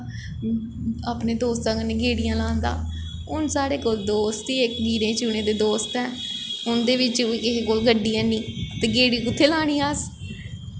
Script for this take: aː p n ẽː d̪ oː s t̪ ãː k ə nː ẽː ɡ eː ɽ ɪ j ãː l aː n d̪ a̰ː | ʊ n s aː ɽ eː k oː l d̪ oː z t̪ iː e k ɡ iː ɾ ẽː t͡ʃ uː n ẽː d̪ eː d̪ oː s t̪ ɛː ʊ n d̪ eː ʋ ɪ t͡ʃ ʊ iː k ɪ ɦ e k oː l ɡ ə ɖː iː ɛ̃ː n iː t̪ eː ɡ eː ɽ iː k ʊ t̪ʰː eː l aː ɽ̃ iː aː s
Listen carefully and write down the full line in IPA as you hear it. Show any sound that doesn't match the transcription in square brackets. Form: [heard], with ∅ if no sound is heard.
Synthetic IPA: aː p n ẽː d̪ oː s t̪ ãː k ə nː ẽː ɡ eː ɽ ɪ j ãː l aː n d̪ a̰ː | ʊ n s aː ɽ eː k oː l d̪ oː [s] t̪ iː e k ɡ iː ɾ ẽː t͡ʃ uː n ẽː d̪ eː d̪ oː s t̪ ɛː ʊ n d̪ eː ʋ ɪ t͡ʃ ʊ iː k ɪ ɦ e k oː l ɡ ə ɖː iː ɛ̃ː n iː t̪ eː ɡ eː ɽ iː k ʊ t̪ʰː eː l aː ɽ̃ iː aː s